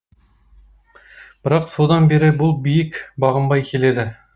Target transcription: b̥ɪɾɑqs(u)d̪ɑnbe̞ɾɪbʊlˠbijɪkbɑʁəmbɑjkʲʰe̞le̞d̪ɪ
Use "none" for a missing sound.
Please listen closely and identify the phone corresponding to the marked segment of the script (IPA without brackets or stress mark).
o